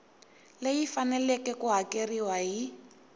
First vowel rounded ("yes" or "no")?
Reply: no